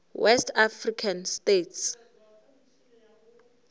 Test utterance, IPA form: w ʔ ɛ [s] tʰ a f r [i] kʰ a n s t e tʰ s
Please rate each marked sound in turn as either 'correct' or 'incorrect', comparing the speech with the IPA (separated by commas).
correct, correct